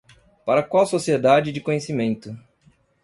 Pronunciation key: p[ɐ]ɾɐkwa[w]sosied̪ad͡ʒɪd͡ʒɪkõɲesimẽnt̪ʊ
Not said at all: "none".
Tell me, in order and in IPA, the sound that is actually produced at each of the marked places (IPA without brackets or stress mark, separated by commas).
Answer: a, w